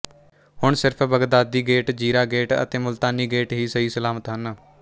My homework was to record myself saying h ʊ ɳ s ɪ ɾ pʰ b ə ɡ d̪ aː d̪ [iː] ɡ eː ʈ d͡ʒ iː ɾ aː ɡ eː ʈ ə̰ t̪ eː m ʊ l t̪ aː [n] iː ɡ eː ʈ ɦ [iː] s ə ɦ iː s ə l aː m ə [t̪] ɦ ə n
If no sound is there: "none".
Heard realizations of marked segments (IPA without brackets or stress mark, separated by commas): iː, n, iː, t̪